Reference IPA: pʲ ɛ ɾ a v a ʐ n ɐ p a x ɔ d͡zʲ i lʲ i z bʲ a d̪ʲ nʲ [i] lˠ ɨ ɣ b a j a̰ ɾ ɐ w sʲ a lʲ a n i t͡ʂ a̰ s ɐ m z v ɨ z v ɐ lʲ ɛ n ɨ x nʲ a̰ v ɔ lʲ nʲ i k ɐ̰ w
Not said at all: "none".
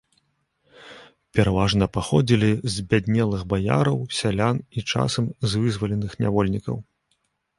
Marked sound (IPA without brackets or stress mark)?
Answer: ɛ